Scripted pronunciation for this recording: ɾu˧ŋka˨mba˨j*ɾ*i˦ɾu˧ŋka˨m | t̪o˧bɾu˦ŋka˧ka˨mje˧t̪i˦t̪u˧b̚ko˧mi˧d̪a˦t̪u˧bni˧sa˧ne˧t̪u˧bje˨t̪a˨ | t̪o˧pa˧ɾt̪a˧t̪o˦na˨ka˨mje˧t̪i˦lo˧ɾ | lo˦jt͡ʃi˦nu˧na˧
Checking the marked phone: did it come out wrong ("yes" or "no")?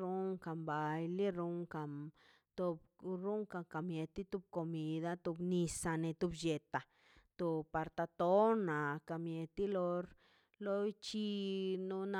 yes